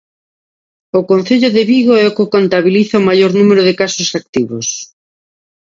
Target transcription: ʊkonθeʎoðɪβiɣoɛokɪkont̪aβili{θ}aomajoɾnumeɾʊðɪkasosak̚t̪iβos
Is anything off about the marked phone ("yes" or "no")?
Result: no